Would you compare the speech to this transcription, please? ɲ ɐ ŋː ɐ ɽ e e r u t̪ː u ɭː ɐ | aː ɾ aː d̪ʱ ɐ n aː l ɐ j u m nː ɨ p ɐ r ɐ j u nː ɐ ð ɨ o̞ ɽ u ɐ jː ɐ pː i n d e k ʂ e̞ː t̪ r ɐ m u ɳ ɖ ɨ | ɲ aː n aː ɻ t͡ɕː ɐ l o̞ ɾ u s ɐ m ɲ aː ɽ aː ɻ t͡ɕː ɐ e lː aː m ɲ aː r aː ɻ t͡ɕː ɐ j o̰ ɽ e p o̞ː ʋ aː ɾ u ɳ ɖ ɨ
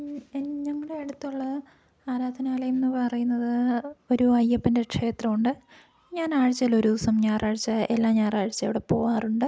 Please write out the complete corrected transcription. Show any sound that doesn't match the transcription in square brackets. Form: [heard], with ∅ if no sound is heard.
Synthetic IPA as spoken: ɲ ɐ ŋː ɐ ɽ e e [ɽ] u t̪ː u ɭː ɐ | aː ɾ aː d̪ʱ ɐ n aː l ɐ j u m nː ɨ p ɐ r ɐ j u nː ɐ ð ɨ o̞ [ɾ] u ɐ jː ɐ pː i n d e k ʂ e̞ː t̪ r ɐ m u ɳ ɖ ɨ | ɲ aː n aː ɻ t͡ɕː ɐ l o̞ ɾ u s ɐ m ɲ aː [r] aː ɻ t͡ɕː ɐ e lː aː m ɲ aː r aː ɻ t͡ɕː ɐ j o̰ ɽ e p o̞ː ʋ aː [r] u ɳ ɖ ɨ